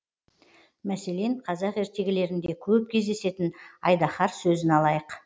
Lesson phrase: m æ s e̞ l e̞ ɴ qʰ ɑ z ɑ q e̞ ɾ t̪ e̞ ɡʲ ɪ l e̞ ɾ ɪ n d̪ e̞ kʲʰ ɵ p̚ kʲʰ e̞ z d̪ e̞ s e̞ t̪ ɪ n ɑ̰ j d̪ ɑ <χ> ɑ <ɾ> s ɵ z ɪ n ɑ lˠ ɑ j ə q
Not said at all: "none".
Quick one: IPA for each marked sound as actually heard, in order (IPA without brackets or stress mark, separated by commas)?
χ, ɾ